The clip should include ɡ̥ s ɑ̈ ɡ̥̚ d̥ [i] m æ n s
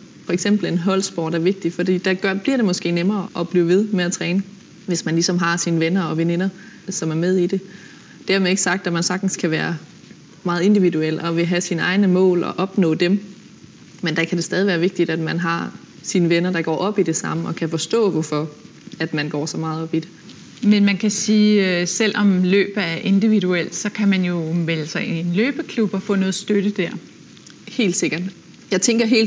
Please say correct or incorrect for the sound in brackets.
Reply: incorrect